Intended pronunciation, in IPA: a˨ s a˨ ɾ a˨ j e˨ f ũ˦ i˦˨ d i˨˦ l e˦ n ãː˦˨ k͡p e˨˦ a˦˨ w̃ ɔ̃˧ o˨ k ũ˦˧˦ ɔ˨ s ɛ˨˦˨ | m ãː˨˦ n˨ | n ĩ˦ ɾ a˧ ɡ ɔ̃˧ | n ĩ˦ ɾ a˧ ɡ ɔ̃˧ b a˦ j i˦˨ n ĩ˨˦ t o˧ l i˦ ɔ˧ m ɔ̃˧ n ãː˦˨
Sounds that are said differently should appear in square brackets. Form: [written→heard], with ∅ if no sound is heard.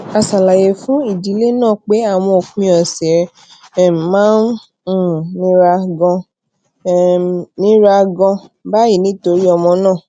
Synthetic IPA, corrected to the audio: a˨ s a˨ [ɾ→l] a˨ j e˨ f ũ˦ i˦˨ d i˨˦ l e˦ n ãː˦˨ k͡p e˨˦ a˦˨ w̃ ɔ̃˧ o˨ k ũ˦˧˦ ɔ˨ s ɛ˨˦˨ | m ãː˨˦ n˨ | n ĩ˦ ɾ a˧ ɡ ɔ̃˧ | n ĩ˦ ɾ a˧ ɡ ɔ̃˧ b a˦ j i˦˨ n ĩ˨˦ t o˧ [l→ɾ] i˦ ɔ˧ m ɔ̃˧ n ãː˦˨